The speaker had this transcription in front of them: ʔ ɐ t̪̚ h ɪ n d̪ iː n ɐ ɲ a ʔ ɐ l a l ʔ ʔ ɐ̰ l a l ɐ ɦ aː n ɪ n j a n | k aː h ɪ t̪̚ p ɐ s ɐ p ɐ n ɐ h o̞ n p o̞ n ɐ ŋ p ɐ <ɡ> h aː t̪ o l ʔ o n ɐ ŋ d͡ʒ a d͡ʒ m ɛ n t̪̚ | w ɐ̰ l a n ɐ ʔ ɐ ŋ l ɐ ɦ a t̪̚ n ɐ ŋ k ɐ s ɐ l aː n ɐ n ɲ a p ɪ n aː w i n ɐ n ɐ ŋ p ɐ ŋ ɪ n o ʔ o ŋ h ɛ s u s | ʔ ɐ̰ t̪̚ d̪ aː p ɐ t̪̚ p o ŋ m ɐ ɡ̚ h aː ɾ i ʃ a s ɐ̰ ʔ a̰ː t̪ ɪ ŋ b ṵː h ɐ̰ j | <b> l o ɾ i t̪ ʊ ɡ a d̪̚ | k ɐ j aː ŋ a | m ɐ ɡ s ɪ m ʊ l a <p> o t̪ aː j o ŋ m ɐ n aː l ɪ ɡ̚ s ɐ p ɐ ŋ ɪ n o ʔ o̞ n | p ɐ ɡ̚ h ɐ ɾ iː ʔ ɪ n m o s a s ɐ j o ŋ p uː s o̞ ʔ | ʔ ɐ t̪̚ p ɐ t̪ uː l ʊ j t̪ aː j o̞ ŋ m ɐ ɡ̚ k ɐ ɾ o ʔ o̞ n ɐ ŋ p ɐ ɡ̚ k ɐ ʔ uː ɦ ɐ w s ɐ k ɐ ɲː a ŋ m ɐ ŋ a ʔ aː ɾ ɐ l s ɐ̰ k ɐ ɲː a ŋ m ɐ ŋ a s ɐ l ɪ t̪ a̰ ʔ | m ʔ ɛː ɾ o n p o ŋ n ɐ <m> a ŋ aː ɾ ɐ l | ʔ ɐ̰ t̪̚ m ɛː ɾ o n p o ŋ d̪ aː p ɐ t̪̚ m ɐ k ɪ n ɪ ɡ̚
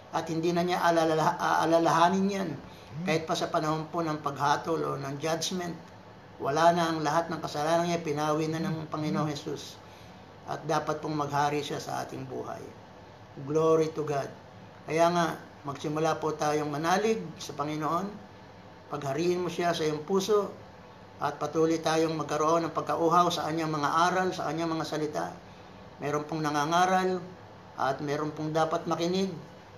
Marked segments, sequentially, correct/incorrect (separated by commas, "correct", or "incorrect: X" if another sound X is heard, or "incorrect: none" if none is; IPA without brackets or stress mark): correct, incorrect: ɡ, correct, incorrect: ŋ